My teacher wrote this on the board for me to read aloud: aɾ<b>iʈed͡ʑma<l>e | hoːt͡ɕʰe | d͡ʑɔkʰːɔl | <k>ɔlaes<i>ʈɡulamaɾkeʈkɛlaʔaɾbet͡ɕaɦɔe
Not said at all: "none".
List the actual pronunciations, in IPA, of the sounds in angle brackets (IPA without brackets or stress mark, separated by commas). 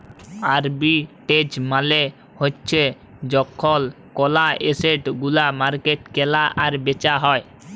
b, l, k, e